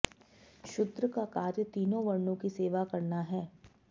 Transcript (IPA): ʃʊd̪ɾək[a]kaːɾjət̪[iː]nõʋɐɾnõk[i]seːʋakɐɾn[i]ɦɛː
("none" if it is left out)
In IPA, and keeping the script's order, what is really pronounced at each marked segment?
a, iː, i, a

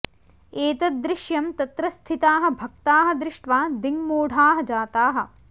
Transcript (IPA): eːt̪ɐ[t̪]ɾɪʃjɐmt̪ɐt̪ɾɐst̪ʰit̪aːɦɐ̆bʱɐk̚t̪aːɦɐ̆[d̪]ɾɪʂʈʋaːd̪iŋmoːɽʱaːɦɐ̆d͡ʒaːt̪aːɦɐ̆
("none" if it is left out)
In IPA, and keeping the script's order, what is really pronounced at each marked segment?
d̪, d̪

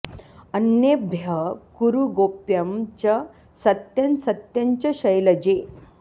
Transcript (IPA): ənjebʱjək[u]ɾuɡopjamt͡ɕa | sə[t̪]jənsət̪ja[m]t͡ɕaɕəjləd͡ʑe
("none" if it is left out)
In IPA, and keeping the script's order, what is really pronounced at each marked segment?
u, t̪, ɲ

